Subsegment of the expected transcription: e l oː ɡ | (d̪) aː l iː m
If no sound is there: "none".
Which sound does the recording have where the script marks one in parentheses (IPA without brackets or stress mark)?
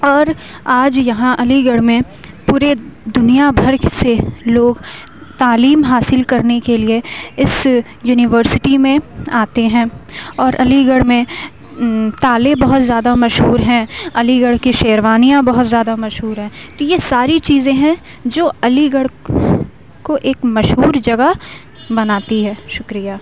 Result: t̪